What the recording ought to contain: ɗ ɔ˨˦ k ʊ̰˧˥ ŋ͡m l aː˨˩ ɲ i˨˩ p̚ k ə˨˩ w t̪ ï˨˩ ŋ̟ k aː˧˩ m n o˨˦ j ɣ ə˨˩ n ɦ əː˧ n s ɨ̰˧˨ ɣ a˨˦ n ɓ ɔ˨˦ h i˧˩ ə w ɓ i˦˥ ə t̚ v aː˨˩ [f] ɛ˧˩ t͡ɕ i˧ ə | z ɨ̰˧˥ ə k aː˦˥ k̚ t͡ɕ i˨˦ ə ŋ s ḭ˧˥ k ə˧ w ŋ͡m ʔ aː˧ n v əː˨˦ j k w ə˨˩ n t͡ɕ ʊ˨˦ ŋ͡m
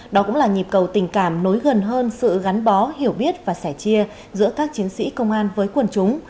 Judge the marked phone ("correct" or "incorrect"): incorrect